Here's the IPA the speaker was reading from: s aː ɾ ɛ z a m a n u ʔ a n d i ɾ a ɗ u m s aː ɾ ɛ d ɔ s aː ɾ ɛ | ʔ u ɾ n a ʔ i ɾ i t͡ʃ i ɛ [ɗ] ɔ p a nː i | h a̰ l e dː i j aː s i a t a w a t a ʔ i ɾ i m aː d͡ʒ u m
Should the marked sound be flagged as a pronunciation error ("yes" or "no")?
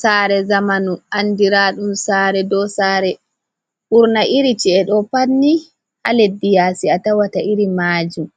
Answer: no